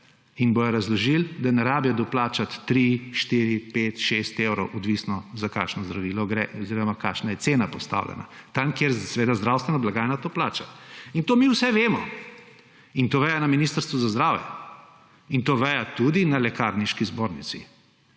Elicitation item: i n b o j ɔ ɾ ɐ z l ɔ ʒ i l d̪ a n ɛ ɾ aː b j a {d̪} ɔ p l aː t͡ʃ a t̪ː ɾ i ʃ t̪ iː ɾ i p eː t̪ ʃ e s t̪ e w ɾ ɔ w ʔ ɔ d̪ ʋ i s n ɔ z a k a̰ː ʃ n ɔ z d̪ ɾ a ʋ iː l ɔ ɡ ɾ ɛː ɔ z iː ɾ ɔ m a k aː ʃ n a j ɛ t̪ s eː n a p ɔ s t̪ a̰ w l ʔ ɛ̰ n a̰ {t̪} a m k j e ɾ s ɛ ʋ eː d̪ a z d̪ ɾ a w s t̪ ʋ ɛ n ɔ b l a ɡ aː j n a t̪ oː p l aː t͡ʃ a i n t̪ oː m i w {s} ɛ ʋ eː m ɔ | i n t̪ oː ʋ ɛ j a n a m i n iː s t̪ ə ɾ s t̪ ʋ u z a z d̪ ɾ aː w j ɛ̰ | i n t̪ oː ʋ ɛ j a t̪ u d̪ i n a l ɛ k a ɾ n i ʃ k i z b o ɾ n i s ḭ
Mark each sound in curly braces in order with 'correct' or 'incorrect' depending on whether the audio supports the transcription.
correct, correct, correct

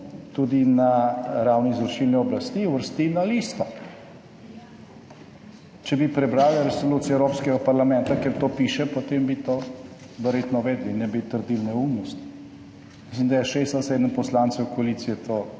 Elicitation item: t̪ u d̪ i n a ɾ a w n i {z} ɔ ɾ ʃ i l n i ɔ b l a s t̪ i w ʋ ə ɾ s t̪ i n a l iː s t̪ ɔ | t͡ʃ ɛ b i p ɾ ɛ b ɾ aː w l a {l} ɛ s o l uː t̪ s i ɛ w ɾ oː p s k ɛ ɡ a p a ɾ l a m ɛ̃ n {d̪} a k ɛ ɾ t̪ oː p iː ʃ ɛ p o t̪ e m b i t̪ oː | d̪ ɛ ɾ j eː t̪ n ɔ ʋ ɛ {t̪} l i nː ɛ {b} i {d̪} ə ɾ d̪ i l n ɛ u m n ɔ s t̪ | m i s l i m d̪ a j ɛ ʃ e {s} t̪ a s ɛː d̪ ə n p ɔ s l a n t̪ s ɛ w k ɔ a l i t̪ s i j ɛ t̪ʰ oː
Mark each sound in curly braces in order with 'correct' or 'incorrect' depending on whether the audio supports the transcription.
correct, incorrect: ɾ, incorrect: t̪, incorrect: d̪, correct, incorrect: t̪, correct

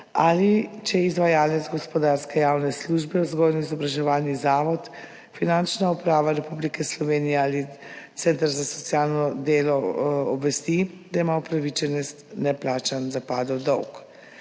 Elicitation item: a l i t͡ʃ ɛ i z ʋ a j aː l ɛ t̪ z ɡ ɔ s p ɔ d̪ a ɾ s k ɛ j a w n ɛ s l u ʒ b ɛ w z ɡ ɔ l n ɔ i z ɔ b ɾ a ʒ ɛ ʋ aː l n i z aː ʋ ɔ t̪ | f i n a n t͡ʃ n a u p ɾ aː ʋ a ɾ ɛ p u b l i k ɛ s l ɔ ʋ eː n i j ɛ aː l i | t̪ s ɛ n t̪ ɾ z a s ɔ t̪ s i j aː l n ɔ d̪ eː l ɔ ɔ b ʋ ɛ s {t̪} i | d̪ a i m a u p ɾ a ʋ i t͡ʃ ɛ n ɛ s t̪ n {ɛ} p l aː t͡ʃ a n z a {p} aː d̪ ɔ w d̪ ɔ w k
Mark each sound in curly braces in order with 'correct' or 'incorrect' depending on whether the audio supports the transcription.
correct, correct, correct

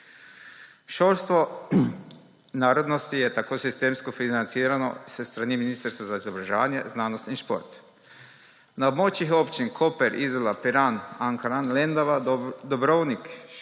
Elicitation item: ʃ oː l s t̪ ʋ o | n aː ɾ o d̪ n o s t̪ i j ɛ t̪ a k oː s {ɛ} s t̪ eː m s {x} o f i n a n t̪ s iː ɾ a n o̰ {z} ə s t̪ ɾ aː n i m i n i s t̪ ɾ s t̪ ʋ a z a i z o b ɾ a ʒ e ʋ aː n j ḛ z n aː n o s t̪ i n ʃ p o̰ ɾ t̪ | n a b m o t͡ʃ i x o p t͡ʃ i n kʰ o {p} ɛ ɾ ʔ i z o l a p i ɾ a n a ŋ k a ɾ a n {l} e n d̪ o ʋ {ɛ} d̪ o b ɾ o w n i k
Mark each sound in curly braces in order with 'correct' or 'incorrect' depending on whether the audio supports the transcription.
incorrect: i, incorrect: k, incorrect: s, correct, correct, incorrect: a

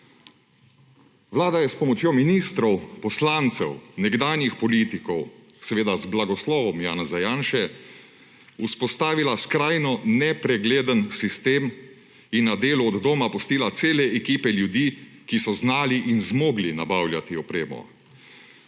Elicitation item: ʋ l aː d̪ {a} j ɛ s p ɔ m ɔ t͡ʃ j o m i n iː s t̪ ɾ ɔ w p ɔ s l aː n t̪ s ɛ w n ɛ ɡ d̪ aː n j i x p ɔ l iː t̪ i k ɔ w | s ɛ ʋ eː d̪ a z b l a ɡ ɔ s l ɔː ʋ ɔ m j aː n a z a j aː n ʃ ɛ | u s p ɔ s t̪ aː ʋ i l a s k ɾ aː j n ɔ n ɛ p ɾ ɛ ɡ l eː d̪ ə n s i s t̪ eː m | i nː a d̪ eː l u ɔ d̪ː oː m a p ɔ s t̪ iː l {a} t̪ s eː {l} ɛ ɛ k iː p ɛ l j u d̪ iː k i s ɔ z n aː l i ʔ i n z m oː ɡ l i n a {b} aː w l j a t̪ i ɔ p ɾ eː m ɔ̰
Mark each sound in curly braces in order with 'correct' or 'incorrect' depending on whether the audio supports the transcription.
correct, correct, correct, correct

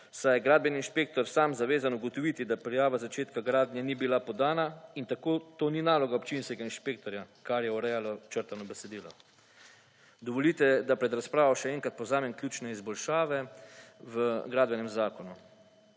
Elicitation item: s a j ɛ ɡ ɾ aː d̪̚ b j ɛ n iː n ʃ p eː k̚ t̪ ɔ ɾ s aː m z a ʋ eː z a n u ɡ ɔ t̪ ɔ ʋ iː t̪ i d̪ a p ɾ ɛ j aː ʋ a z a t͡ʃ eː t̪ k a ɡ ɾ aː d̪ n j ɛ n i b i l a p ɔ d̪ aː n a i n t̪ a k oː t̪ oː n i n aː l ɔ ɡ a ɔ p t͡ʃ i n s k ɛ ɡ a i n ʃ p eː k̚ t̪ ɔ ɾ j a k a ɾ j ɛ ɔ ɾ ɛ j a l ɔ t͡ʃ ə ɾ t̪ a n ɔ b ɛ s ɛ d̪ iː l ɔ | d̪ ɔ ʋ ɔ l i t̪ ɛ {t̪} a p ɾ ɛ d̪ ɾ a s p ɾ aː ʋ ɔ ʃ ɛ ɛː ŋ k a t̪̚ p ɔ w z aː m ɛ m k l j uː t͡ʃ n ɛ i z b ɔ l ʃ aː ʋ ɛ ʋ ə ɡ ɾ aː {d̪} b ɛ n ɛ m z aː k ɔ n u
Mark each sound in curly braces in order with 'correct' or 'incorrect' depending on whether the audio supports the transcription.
incorrect: d̪, correct

